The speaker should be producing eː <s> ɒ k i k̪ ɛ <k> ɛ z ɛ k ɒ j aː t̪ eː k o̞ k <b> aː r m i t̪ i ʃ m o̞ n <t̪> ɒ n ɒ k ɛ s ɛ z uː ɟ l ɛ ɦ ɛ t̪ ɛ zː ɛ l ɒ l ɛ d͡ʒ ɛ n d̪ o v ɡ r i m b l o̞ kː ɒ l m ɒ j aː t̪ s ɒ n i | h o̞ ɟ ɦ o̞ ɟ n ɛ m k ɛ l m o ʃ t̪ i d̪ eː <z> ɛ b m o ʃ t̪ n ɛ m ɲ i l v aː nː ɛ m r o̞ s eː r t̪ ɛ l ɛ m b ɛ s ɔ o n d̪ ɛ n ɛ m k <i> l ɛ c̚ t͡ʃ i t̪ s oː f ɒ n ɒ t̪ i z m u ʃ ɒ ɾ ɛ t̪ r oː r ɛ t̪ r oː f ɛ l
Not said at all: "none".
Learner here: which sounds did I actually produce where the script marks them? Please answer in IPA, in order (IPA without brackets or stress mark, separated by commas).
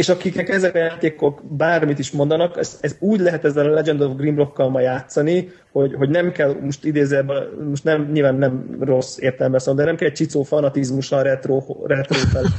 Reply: ʃ, k, b, d̪, z, ɛ